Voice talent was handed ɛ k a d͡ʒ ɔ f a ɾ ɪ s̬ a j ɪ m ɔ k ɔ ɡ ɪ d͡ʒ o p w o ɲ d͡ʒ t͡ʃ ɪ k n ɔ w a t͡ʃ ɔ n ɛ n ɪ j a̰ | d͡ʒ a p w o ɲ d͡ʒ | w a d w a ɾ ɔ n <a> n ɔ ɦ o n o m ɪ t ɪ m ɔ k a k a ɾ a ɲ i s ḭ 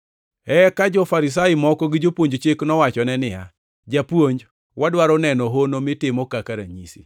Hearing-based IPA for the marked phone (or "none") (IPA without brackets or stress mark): ɛ